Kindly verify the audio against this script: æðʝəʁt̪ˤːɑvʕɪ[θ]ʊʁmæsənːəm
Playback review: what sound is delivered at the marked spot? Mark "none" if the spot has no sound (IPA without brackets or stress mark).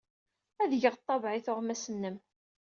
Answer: θ